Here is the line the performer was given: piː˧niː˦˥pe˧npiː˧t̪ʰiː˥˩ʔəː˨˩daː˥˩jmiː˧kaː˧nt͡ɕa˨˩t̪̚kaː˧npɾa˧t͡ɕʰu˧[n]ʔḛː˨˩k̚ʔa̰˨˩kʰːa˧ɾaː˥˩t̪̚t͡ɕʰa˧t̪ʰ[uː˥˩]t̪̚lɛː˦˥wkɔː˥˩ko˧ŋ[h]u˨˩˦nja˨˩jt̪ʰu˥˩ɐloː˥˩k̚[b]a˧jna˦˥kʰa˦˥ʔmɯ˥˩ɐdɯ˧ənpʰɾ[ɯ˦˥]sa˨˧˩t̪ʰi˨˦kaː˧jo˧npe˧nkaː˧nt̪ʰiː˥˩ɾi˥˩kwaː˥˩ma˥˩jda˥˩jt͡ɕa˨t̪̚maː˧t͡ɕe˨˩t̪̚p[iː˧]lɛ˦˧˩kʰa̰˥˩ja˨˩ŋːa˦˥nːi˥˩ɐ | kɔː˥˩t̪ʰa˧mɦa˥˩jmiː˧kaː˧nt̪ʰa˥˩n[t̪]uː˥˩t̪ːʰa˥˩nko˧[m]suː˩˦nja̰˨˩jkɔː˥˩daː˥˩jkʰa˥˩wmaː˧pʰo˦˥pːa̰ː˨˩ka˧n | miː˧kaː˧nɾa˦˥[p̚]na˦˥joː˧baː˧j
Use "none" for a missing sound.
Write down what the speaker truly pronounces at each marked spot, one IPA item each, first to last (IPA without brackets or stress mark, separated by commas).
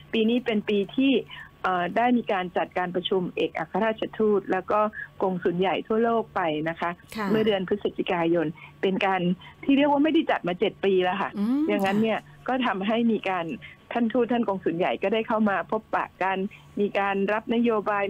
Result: m, uː˥˩, s, p, ɯ˦˥, iː˧, t̪ʰ, ŋ, p̚